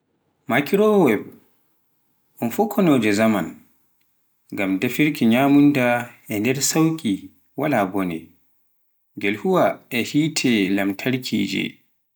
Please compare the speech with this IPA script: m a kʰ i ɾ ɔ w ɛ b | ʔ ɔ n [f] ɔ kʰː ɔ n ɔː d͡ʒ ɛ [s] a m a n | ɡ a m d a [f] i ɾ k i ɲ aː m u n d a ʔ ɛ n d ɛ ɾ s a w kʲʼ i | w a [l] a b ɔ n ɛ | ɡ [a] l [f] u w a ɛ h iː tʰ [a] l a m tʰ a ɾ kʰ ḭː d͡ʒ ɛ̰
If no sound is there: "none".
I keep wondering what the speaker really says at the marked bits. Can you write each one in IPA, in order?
f, z, f, l, ɛ, h, ɛ

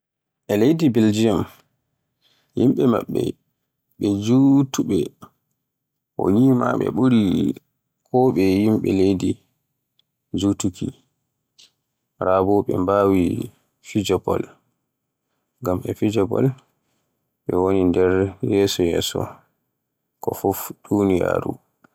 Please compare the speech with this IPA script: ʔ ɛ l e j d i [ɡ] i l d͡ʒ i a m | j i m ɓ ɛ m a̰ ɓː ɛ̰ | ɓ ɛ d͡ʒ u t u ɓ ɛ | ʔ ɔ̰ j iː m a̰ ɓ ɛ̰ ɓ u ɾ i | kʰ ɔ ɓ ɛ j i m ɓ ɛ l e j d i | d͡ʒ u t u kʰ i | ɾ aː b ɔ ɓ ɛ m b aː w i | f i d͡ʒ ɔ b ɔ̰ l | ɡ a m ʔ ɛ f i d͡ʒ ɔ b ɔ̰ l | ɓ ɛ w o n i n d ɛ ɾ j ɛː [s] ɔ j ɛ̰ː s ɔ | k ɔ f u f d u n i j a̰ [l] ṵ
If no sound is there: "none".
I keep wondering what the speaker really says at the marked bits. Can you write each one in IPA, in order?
b, s, ɾ

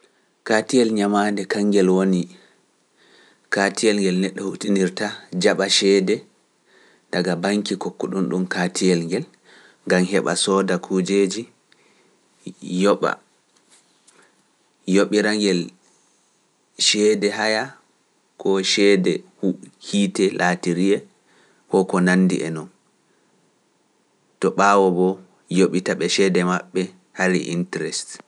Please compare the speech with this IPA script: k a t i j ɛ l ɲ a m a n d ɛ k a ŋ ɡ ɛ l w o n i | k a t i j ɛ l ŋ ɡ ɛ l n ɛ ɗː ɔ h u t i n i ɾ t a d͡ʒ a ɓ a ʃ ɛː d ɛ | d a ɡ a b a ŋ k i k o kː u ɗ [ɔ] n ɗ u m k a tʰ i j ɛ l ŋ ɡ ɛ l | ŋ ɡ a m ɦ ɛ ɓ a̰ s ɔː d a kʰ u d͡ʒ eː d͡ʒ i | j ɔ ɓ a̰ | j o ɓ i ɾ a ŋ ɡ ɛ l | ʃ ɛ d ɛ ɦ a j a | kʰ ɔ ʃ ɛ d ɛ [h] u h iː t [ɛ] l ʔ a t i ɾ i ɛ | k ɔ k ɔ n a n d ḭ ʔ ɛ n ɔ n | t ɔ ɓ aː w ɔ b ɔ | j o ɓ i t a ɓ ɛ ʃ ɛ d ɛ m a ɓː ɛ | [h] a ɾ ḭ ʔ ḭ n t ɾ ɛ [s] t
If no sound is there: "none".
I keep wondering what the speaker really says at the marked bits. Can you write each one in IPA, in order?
u, h, ɛ, h, s

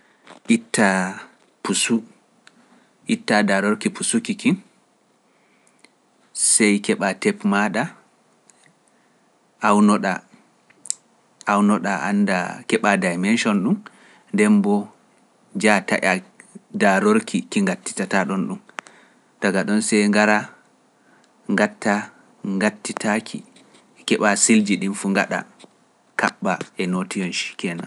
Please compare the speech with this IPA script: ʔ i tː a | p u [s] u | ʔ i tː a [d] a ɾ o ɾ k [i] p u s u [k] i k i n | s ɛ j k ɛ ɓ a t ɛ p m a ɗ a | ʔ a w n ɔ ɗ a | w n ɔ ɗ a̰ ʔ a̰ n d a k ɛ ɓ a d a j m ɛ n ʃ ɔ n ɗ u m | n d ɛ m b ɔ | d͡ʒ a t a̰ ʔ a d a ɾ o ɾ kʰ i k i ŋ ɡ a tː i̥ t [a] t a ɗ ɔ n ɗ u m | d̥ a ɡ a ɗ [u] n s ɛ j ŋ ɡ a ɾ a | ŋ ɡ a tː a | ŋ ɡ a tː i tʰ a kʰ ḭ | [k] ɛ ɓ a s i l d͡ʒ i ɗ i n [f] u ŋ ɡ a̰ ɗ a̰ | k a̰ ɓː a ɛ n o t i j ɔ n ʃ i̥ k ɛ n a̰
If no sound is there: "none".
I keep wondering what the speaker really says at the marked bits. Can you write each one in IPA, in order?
s, d, i, k, a, ɔ, k, f

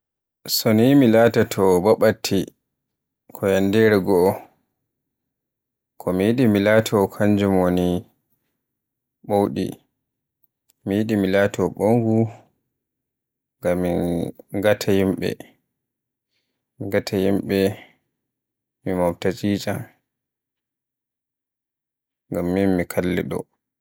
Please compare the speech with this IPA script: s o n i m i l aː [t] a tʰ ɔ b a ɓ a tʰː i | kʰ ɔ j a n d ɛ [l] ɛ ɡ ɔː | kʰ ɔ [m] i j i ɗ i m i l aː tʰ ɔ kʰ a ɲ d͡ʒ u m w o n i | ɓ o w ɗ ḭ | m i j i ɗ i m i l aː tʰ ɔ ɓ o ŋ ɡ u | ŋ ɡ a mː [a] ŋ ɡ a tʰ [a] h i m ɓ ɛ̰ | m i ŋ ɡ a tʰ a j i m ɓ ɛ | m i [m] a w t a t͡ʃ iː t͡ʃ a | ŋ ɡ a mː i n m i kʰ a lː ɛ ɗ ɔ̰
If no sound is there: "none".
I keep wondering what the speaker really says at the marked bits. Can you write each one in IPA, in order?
t, ɾ, m, i, a, m

